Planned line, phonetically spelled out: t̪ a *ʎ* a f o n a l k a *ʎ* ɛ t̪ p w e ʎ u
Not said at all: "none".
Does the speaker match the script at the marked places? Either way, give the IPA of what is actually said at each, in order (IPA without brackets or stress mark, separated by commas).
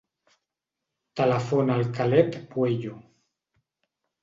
l, l